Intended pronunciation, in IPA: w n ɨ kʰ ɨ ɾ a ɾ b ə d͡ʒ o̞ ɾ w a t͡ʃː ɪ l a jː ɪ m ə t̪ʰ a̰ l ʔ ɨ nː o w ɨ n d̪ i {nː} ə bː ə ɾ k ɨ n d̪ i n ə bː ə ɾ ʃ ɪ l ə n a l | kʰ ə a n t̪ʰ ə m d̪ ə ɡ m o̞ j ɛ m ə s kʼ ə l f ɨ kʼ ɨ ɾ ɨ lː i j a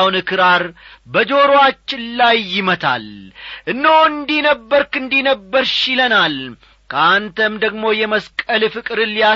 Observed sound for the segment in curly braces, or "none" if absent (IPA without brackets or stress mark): n